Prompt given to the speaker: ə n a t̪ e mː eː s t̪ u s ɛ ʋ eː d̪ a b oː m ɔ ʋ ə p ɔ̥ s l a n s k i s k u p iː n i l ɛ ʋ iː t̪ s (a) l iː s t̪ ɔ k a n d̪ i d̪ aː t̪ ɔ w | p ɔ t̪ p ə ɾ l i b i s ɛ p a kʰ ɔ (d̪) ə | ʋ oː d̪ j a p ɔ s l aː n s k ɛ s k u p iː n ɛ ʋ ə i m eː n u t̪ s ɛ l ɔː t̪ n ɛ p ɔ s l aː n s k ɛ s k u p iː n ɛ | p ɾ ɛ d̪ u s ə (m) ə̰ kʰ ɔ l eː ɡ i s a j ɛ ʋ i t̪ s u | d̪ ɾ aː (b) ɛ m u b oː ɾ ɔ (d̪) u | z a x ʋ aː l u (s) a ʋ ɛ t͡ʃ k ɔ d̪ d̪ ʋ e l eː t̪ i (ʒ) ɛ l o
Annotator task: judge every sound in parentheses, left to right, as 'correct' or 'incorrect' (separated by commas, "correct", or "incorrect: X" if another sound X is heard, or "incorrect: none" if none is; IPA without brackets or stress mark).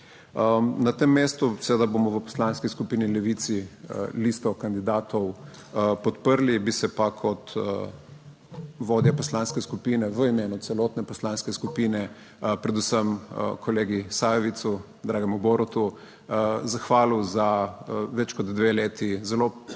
incorrect: i, incorrect: t̪, correct, incorrect: ɡ, incorrect: t̪, incorrect: z, incorrect: z